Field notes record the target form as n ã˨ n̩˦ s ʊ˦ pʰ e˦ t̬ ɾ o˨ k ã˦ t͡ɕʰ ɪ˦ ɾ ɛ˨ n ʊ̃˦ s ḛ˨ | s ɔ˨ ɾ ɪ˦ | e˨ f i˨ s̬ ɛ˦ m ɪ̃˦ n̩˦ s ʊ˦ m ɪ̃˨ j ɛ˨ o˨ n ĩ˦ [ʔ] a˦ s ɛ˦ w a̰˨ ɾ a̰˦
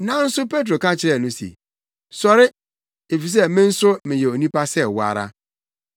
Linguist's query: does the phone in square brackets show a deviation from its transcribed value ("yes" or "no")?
yes